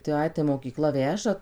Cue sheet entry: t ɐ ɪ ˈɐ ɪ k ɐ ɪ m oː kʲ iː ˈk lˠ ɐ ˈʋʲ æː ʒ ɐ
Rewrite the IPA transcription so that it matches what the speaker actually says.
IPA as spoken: t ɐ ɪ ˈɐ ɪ t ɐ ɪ m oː kʲ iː ˈk lˠ ɐ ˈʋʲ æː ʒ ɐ